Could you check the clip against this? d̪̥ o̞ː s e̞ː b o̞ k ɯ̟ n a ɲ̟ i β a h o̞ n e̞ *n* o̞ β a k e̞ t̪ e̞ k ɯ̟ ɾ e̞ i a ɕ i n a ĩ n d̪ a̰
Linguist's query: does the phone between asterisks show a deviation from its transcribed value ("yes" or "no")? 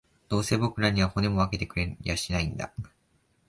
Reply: yes